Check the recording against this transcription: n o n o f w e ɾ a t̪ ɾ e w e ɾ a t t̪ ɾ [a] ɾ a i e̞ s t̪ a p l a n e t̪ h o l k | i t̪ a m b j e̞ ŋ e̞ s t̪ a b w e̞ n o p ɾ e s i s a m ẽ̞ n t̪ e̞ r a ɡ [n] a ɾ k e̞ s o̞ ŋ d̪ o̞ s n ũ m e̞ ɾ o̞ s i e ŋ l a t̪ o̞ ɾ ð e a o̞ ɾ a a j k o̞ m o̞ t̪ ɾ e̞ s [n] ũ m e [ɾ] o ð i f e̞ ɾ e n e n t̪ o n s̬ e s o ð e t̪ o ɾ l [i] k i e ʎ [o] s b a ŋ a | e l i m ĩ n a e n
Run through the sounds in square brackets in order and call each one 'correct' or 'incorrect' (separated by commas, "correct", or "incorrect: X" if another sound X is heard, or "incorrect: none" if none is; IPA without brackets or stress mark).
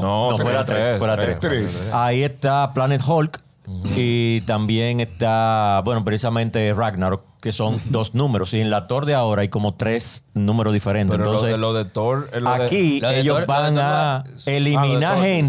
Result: incorrect: e, correct, correct, correct, incorrect: a, correct